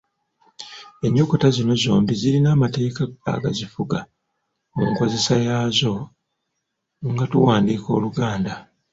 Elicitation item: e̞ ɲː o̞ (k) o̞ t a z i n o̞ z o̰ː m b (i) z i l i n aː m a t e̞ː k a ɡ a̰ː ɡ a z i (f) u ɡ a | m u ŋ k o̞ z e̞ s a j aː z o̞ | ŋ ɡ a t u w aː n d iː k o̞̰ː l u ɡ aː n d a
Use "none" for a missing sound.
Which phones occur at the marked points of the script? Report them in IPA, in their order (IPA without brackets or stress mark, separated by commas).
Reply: k, i, f